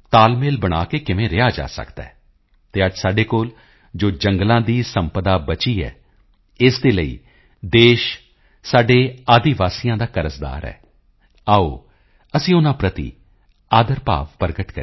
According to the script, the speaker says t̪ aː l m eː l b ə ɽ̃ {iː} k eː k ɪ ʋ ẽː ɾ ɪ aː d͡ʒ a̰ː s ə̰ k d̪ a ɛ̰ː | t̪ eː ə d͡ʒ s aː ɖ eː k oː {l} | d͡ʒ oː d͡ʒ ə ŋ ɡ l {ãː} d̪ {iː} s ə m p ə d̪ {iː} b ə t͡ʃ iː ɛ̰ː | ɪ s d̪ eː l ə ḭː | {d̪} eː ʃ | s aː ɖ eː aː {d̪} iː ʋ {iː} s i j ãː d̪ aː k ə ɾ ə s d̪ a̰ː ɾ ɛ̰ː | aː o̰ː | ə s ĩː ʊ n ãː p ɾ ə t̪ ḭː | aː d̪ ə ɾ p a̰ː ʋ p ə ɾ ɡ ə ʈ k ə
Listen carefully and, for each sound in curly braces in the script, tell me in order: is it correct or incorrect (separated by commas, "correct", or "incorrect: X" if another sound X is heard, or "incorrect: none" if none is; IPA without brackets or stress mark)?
incorrect: aː, correct, correct, correct, incorrect: aː, correct, correct, incorrect: aː